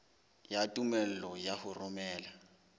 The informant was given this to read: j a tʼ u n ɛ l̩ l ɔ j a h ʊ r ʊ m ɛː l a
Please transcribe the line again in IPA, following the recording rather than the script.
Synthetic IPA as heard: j a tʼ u m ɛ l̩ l ɔ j a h ʊ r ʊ m ɛː l a